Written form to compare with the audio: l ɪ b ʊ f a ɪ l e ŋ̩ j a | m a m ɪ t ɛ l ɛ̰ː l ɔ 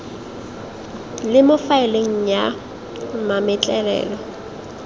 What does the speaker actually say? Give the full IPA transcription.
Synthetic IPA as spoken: l ɪ m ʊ f a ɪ l e ŋ̩ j a | m a m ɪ t͡ɬʼ ɛ l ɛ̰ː l ɔ